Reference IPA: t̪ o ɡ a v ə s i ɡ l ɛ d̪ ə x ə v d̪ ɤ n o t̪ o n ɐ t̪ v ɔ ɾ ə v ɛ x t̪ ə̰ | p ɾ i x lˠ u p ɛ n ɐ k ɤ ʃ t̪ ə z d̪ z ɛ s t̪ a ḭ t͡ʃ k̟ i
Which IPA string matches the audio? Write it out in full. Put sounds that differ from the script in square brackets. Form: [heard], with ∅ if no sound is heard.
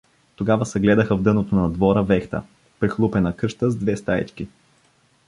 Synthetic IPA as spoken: t̪ o ɡ a v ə s [ɛ] ɡ l ɛ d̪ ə x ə v d̪ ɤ n o t̪ o n ɐ [d̪] v ɔ ɾ ə v ɛ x t̪ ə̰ | p ɾ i x lˠ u p ɛ n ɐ k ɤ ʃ t̪ ə z d̪ [v] ɛ s t̪ a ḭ t͡ʃ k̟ i

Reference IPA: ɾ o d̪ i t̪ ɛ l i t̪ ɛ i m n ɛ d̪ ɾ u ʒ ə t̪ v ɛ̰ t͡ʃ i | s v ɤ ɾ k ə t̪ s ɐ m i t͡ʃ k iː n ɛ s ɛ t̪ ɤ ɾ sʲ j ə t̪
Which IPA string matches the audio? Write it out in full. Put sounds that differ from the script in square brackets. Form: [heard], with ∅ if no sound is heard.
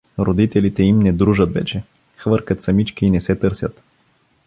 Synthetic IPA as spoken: ɾ o d̪ i t̪ ɛ l i t̪ ɛ i m n ɛ d̪ ɾ u ʒ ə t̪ v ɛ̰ t͡ʃ [ɛ] | [x] v ɤ ɾ k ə t̪ s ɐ m i t͡ʃ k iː n ɛ s ɛ t̪ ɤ ɾ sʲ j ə t̪

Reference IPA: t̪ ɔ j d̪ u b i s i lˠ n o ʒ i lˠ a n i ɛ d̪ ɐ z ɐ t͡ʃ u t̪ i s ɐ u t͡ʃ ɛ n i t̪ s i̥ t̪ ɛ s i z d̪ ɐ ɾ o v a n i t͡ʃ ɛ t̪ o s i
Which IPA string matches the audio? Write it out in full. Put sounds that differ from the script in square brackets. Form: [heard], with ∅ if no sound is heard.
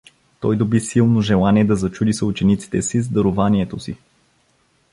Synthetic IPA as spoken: t̪ ɔ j d̪ [o] b i s i lˠ n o ʒ [ɛ] lˠ a n i ɛ d̪ ɐ z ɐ t͡ʃ u [d̪] i s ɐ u t͡ʃ ɛ n i t̪ s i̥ t̪ ɛ s i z d̪ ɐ ɾ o v a n i [∅] ɛ t̪ o s i

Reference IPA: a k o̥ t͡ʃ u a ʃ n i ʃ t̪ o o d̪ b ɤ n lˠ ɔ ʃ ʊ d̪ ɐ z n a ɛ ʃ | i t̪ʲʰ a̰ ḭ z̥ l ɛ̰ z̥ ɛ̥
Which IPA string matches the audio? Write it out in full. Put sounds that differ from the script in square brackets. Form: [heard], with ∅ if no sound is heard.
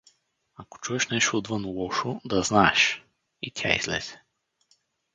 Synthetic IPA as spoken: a k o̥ t͡ʃ u [ɛ] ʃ n [ɛ] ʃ t̪ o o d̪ [v] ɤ n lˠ ɔ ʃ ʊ d̪ ɐ z n a ɛ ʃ | i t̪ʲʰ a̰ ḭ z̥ l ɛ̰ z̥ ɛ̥

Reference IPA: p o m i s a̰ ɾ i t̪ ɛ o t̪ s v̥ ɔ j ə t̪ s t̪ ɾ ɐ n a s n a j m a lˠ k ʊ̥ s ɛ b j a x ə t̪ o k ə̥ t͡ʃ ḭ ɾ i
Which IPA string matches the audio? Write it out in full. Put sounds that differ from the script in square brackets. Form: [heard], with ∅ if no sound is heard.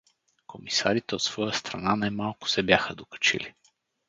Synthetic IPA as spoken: [k] o m i s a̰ ɾ i t̪ ɛ o t̪ s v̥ ɔ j ə [∅] s t̪ ɾ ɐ n a [∅] n a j m a lˠ k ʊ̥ s ɛ b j a x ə [d̪] o k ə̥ t͡ʃ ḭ [l] i

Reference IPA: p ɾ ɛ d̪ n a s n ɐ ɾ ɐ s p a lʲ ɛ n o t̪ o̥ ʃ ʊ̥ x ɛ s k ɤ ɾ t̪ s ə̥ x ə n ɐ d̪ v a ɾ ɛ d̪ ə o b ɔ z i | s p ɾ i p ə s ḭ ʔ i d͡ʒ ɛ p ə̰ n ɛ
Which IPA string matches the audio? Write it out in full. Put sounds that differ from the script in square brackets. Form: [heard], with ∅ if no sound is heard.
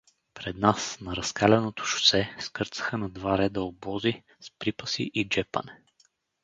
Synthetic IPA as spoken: p ɾ ɛ d̪ n a s n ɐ ɾ ɐ s [k] a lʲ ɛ n o t̪ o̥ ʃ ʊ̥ [s] ɛ s k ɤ ɾ t̪ s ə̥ x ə n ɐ d̪ v a ɾ ɛ d̪ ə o b ɔ z i | s p ɾ i p ə s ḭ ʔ i d͡ʒ ɛ p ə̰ n ɛ

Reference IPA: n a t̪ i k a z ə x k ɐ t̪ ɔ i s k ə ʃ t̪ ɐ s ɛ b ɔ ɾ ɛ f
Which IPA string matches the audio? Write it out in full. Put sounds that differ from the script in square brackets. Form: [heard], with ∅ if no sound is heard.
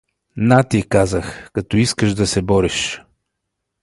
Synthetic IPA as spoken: n a t̪ i k a z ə x k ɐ t̪ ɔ i s k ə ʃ [d̪] ɐ s ɛ b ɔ ɾ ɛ [ʃ]

